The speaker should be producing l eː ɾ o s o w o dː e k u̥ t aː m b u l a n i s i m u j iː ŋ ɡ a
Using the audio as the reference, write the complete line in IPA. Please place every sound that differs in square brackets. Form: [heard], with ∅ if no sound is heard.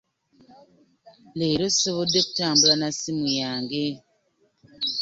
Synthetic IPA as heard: l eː ɾ o s o [β] o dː e k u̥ t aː m b u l a n [a] s i m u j [aː] ŋ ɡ [e]